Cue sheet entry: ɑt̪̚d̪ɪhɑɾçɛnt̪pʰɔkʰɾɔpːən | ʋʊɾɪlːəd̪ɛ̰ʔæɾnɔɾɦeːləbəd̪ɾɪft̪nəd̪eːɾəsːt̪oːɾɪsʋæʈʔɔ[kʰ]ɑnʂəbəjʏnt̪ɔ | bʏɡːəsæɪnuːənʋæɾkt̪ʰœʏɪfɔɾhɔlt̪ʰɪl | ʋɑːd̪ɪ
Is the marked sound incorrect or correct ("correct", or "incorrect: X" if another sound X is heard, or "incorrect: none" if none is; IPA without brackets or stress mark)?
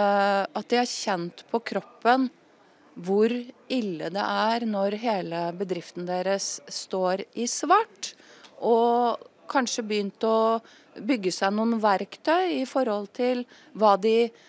correct